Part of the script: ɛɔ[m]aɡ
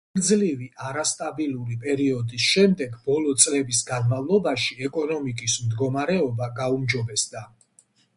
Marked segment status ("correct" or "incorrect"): incorrect